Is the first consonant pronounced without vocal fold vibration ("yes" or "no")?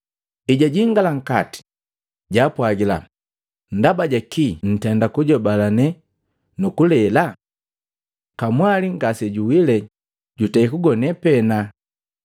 no